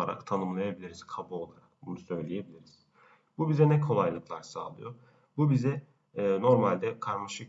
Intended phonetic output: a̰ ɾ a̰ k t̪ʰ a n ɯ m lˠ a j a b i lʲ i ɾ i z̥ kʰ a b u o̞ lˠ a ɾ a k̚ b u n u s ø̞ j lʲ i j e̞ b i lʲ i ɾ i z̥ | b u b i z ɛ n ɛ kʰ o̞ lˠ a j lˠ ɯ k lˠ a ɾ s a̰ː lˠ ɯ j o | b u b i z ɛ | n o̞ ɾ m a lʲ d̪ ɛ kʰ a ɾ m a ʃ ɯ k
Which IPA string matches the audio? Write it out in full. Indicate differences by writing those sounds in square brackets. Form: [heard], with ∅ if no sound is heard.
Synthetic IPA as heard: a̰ ɾ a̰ k t̪ʰ a n ɯ m lˠ a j a b i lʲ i ɾ i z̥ kʰ a b u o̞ lˠ a ɾ a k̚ b u n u s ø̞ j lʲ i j e̞ b i lʲ i ɾ i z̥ | b u b i z ɛ n ɛ kʰ o̞ lˠ a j lˠ ɯ k lˠ a ɾ s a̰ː lˠ ɯ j o | b u b i z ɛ | n o̞ ɾ m a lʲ d̪ ɛ kʰ a ɾ m a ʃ ɯ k